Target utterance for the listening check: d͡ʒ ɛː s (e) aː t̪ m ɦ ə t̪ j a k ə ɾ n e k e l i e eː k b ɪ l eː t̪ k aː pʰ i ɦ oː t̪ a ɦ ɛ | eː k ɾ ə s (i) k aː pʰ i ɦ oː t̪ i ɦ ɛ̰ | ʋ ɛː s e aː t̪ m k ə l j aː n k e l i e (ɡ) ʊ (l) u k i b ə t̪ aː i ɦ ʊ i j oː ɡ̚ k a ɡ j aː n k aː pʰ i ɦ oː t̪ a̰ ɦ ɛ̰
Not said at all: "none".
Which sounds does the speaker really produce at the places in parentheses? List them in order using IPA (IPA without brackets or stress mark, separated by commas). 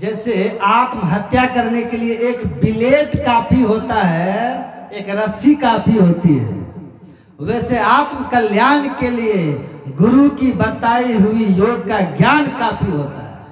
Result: e, i, ɡ, ɾ